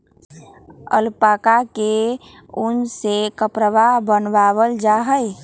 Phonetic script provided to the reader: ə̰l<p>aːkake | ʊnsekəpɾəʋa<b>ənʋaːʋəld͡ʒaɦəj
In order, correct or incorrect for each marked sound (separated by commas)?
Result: correct, correct